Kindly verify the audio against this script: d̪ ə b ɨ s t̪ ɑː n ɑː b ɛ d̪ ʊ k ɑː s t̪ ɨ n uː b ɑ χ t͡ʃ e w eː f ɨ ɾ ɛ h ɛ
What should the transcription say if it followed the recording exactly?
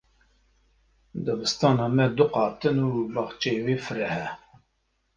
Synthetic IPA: d̪ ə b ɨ s t̪ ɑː n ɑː m ɛ d̪ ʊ q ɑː t̪ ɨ n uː b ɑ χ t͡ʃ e w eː f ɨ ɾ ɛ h ɛ